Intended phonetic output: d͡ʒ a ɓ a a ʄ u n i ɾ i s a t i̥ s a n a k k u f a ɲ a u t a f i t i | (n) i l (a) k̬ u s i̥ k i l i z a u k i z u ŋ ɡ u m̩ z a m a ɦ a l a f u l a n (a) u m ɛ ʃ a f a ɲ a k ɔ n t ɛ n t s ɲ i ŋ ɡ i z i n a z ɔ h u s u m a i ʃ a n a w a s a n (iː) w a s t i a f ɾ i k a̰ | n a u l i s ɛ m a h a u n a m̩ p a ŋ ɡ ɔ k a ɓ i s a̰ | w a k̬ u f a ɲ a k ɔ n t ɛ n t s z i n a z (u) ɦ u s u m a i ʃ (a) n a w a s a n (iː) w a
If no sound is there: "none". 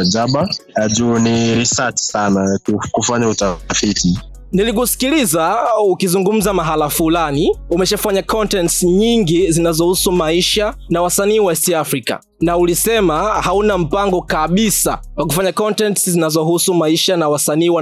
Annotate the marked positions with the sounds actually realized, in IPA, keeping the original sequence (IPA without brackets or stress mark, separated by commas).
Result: n, i, i, iː, ɔ, a, iː